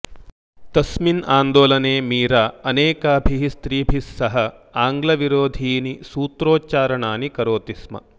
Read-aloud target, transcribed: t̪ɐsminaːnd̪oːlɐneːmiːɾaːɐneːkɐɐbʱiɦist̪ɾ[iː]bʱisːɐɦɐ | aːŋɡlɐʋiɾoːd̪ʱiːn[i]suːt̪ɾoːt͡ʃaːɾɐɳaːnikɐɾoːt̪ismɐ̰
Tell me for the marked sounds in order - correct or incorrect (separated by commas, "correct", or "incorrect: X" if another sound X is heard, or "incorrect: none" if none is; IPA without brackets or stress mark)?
correct, correct